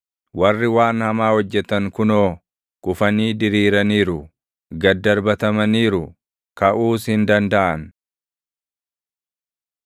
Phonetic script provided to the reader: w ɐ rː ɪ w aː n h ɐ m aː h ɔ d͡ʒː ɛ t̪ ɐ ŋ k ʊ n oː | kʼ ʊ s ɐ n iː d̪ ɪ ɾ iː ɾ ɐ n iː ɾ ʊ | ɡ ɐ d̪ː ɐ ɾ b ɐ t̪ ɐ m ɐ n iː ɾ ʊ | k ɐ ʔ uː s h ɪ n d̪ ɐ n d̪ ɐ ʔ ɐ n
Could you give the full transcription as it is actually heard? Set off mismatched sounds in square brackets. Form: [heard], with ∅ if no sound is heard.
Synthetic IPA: w ɐ rː ɪ w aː n h ɐ m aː h ɔ d͡ʒː ɛ t̪ ɐ ŋ k ʊ n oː | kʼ ʊ [f] ɐ n iː d̪ ɪ ɾ iː ɾ ɐ n iː ɾ ʊ | ɡ ɐ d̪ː ɐ ɾ b ɐ t̪ ɐ m ɐ n iː ɾ ʊ | k ɐ ʔ uː s h ɪ n d̪ ɐ n d̪ ɐ ʔ ɐ n

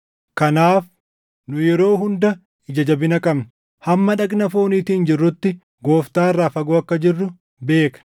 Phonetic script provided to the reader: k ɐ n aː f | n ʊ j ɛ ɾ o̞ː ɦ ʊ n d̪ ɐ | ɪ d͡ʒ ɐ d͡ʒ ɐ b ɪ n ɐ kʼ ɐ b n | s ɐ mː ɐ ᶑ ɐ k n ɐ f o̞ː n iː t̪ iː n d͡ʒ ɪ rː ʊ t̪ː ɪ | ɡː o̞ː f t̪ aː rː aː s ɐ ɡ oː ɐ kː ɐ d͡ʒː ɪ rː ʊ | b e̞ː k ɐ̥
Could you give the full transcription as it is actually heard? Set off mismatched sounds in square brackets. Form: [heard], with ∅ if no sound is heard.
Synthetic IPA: k ɐ n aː f | n ʊ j ɛ ɾ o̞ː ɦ ʊ n d̪ ɐ | ɪ d͡ʒ ɐ d͡ʒ ɐ b ɪ n ɐ kʼ ɐ b n | [h] ɐ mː ɐ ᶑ ɐ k n ɐ f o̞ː n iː t̪ iː n d͡ʒ ɪ rː ʊ t̪ː ɪ | [ɡ] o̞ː f t̪ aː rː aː [f] ɐ ɡ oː ɐ kː ɐ [d͡ʒ] ɪ rː ʊ | b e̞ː k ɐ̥

